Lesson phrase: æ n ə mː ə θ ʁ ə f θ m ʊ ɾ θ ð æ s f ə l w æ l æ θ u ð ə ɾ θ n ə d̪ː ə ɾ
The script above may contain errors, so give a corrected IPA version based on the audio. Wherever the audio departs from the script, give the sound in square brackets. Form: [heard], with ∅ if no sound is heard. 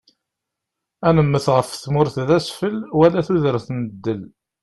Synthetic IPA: æ n ə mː ə θ ʁ ə f θ m ʊ ɾ θ ð æ s f ə l w æ l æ θ u ð ə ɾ θ n ə d̪ː ə [l]